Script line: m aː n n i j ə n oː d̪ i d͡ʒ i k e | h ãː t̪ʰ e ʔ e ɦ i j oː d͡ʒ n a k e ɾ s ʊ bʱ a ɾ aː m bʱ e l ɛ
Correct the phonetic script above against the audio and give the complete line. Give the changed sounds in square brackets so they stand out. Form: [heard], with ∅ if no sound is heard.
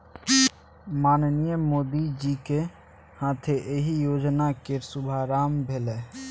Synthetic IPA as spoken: m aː n n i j ə [m] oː d̪ i d͡ʒ i k e | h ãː t̪ʰ e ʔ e ɦ i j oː d͡ʒ n a k e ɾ s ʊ bʱ a ɾ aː m bʱ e l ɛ